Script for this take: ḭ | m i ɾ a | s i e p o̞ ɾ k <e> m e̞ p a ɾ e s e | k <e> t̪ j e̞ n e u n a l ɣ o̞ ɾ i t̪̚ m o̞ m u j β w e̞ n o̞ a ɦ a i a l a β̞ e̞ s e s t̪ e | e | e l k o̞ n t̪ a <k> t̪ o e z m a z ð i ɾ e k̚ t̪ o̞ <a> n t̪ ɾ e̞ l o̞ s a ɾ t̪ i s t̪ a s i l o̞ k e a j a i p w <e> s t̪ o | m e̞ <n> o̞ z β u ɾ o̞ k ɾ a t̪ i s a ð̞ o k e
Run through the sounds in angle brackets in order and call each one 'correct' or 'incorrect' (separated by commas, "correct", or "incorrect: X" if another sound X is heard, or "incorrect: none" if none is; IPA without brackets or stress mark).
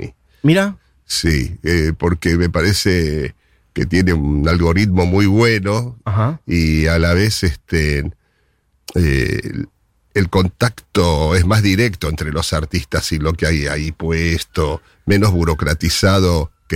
correct, correct, correct, incorrect: e, correct, correct